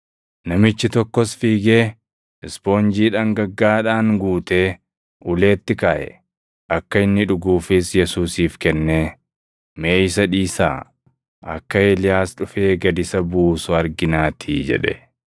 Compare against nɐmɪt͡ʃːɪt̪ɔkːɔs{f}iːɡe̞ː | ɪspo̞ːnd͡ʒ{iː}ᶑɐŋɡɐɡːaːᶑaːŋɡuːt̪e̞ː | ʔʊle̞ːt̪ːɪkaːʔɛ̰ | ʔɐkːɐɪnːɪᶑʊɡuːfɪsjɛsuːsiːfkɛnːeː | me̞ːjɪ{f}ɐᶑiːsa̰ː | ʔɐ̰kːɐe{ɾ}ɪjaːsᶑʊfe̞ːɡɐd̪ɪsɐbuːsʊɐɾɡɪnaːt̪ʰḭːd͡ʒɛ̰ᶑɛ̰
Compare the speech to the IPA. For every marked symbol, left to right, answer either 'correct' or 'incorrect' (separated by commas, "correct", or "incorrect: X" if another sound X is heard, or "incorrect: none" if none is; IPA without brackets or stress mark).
correct, correct, incorrect: s, incorrect: l